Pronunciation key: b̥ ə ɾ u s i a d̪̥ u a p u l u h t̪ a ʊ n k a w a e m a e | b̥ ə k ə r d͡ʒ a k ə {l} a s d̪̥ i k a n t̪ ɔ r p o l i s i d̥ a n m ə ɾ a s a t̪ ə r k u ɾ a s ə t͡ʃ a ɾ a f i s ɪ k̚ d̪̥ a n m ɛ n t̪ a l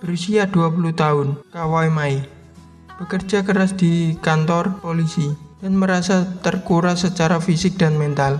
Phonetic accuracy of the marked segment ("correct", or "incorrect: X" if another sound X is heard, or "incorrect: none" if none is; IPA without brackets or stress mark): incorrect: ɾ